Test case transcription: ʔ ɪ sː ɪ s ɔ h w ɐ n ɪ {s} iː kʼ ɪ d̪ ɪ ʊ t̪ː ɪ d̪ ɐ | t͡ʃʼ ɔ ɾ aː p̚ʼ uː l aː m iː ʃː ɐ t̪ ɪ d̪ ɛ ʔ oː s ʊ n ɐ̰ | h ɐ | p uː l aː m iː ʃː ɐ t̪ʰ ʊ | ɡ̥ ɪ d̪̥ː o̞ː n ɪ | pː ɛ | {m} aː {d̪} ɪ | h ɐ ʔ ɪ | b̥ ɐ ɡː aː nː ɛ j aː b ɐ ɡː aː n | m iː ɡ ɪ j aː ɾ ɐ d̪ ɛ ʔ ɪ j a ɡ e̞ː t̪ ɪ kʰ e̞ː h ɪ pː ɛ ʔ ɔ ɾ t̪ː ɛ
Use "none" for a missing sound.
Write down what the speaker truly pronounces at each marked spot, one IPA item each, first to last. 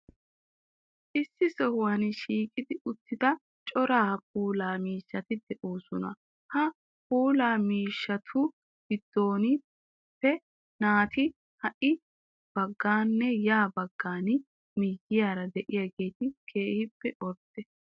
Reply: ʃ, n, t̪

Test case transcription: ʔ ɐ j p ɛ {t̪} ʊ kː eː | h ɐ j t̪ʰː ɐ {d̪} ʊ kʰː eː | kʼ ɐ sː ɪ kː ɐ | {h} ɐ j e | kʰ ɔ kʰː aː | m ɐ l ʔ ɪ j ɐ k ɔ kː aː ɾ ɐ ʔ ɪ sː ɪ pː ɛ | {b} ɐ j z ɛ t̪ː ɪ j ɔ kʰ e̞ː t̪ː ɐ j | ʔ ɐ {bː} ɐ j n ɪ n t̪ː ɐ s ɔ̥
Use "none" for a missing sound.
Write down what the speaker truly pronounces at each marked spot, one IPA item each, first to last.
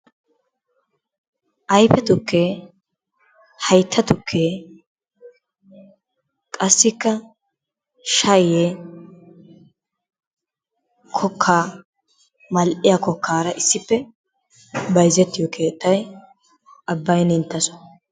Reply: t̪, t̪, ʃ, b, bː

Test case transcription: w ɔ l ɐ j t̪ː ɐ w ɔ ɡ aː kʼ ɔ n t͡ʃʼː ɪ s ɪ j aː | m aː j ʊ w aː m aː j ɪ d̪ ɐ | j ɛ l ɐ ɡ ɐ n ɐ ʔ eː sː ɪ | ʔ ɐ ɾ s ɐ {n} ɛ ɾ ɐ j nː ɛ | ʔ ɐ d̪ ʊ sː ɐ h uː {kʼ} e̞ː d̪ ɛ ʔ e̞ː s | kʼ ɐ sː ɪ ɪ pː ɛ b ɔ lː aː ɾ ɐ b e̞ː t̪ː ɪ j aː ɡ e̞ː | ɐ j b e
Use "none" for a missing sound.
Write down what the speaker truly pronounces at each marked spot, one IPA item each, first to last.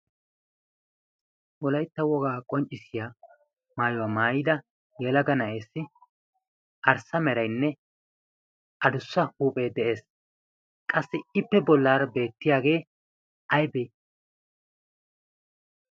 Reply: m, pʼ

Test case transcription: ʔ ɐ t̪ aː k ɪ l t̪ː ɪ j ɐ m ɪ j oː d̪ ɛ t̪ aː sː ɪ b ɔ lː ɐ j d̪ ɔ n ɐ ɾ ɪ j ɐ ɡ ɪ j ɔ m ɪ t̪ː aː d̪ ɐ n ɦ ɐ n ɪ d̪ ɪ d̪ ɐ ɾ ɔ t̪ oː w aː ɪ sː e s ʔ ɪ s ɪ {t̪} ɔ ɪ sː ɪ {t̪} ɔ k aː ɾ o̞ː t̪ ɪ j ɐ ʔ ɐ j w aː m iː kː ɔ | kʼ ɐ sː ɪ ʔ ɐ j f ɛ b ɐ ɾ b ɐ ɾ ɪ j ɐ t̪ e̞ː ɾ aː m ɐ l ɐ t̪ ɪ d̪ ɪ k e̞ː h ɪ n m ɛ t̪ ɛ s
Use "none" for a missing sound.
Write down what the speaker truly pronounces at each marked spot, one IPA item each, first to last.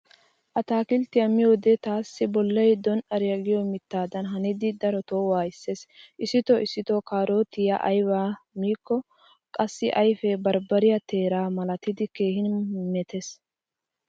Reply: t̪, t̪

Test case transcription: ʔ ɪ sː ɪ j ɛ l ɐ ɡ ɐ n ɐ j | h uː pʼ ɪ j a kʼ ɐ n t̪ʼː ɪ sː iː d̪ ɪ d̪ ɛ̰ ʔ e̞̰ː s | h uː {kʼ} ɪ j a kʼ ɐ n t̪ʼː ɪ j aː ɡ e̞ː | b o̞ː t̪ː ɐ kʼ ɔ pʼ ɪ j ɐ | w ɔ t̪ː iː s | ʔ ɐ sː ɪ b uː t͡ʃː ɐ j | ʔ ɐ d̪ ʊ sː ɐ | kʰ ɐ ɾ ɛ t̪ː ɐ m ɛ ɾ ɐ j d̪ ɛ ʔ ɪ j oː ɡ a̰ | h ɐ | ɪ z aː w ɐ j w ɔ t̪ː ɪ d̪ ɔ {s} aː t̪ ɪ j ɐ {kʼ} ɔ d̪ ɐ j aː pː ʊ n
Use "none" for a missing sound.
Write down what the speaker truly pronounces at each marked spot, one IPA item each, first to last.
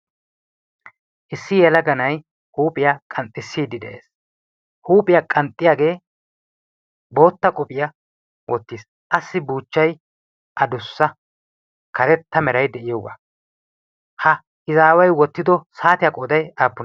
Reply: pʼ, s, kʼ

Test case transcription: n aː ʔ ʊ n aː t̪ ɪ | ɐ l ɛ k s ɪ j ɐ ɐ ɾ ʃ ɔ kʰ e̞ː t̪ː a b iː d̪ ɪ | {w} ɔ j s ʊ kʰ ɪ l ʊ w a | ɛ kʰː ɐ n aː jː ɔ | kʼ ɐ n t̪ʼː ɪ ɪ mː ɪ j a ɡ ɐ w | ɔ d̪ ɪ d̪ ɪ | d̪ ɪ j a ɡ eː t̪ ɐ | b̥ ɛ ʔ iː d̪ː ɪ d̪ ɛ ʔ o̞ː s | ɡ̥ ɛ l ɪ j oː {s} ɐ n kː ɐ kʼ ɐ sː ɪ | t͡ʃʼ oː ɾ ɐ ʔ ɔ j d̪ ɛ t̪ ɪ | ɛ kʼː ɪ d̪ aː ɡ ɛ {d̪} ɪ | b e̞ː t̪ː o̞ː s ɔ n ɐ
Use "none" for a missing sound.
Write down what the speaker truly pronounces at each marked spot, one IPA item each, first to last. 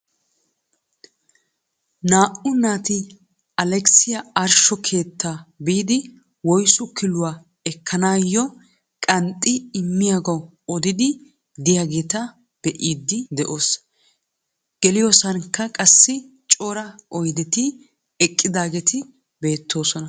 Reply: w, s, t̪

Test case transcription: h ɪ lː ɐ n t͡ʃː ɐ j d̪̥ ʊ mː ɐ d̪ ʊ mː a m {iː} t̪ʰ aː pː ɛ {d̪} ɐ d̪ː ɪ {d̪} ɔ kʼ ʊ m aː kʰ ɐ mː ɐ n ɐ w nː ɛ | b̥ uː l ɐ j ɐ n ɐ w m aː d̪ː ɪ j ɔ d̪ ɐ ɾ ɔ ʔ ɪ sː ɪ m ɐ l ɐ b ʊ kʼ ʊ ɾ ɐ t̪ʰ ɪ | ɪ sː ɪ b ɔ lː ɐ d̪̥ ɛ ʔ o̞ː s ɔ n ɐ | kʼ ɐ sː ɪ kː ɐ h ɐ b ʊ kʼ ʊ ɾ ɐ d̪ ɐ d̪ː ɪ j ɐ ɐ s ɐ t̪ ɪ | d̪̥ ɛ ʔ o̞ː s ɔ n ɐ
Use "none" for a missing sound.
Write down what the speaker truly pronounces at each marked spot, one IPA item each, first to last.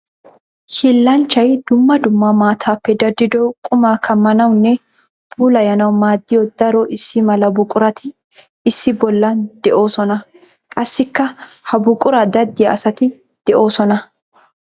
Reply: aː, d̪, d̪

